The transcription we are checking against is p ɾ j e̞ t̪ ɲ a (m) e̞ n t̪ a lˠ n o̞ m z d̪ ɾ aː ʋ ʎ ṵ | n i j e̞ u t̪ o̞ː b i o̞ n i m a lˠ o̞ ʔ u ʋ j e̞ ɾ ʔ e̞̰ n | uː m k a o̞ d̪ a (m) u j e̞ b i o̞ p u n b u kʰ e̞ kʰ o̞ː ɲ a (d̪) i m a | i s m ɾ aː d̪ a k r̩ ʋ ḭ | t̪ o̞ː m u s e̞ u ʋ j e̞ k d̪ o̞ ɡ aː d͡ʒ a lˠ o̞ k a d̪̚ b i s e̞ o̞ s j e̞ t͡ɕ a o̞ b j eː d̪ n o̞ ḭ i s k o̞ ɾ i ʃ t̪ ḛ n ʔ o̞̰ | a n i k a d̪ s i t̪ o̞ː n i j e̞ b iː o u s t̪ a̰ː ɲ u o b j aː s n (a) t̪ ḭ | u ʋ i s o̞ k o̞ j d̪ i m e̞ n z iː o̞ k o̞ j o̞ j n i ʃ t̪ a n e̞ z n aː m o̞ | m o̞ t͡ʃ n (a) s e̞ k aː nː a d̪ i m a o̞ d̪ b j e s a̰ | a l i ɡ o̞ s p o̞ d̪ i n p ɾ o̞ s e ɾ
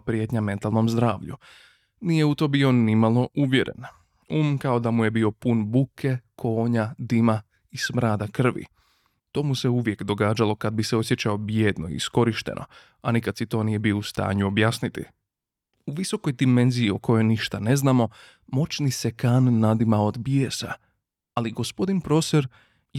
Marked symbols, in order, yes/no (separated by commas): yes, yes, yes, no, no